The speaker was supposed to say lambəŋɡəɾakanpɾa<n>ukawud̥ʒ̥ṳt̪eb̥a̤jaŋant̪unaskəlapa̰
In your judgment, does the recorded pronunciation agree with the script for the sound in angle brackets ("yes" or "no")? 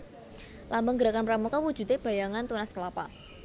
no